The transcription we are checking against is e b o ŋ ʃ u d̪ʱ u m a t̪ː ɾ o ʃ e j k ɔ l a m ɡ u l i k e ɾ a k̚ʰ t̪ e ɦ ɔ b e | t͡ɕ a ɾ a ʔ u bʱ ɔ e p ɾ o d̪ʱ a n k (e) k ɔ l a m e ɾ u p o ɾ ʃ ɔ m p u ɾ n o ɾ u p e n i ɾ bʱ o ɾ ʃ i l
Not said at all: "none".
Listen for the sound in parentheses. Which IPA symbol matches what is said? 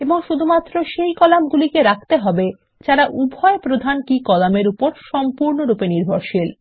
i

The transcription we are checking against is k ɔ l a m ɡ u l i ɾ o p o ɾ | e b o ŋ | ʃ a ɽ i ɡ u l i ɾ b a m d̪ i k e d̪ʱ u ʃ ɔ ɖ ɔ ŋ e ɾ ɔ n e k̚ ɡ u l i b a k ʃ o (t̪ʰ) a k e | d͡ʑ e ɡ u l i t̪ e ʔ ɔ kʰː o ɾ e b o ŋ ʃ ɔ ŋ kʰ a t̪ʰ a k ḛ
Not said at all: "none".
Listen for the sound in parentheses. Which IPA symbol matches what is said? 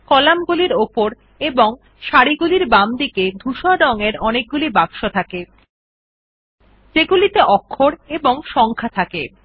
t̪ʰ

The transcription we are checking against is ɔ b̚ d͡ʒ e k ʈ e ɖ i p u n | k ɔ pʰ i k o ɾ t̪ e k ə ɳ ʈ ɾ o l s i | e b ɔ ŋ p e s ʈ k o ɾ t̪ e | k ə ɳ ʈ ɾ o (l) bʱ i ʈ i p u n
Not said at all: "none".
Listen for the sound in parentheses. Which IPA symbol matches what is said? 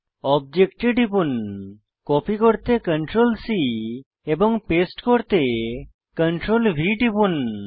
l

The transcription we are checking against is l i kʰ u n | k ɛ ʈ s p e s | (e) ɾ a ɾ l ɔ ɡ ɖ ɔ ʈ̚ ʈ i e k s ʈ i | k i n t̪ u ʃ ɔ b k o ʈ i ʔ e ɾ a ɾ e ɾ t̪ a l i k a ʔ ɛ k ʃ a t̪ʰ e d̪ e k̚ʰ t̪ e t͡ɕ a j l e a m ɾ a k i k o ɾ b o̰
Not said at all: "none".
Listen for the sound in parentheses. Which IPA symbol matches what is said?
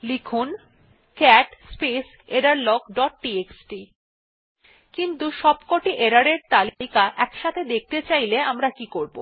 e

